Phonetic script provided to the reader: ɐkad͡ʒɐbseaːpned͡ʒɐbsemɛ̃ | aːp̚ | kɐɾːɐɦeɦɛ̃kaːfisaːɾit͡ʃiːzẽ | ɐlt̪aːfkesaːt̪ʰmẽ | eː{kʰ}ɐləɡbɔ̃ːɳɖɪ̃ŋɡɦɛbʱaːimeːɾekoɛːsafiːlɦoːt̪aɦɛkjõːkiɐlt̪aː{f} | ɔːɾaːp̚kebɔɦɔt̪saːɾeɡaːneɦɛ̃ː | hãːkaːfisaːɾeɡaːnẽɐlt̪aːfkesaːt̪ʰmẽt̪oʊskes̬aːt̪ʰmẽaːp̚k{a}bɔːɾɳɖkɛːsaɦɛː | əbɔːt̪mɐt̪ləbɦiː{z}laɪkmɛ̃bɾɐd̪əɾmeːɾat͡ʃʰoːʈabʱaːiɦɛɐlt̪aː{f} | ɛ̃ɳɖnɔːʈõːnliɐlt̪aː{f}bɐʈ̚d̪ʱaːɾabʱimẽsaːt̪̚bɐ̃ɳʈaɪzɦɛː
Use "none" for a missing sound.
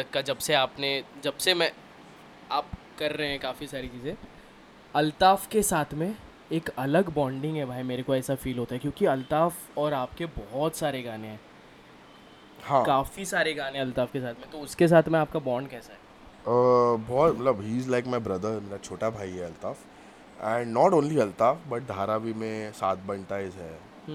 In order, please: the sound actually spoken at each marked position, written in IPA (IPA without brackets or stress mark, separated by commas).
k, f, a, z, f, f